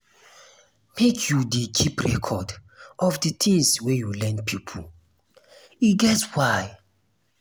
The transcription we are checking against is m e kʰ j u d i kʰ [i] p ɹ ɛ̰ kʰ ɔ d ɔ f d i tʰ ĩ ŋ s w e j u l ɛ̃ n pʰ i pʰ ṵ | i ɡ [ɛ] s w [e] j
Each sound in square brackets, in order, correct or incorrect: correct, correct, incorrect: a

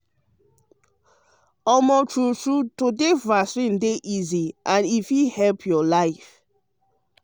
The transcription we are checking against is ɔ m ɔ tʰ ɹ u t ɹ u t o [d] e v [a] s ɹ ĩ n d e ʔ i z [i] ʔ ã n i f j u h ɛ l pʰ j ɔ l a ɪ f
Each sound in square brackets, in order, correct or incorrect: correct, correct, correct

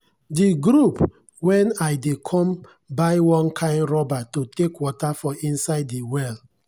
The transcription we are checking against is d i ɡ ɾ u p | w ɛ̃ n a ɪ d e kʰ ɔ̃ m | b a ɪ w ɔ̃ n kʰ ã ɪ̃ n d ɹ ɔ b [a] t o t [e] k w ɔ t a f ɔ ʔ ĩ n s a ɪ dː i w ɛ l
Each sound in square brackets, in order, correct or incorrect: correct, correct

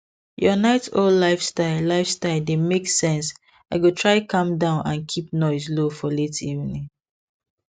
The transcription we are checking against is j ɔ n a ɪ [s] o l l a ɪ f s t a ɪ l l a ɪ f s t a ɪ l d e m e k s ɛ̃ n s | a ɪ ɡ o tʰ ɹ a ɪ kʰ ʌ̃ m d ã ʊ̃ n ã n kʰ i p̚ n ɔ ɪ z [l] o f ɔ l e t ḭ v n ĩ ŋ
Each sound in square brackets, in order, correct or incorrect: incorrect: t, correct

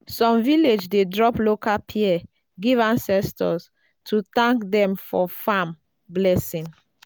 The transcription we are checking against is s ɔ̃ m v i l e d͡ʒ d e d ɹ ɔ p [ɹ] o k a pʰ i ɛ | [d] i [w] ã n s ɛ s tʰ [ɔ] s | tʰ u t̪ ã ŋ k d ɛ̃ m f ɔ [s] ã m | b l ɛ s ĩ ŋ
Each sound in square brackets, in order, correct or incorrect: incorrect: l, incorrect: ɡ, incorrect: v, correct, incorrect: f

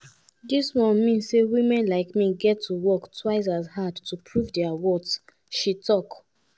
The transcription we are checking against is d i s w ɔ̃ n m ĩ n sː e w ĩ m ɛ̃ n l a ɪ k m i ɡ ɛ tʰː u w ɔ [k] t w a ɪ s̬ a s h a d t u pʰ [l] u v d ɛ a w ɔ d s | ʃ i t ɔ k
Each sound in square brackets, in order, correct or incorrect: correct, incorrect: ɹ

